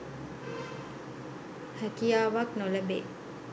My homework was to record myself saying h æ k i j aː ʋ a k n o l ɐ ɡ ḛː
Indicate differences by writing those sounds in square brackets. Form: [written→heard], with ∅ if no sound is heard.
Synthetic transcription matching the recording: h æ k i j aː ʋ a k n o l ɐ [ɡ→b] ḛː